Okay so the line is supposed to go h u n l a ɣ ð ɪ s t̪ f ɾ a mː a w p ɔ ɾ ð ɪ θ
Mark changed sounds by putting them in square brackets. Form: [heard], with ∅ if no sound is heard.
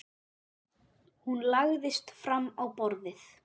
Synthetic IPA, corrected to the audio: h u n l a ɣ ð ɪ s t̪ f ɾ a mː a w p ɔ ɾ ð ɪ θ